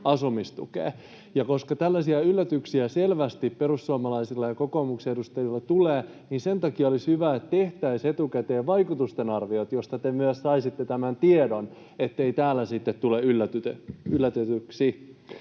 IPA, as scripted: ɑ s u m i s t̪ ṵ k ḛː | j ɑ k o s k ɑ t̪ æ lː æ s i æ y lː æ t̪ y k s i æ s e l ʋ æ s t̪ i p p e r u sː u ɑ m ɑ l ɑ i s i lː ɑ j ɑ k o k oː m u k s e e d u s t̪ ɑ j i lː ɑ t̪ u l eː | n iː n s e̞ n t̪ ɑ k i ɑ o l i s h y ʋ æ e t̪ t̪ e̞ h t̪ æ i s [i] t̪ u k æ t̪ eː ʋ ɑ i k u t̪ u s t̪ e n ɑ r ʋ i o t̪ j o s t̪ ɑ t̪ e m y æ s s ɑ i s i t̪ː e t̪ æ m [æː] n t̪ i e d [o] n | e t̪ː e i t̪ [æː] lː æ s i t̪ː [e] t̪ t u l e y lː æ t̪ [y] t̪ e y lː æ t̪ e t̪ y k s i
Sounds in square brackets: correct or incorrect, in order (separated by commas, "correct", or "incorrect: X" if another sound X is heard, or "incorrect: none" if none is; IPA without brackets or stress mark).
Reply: incorrect: e, incorrect: æ, correct, correct, correct, correct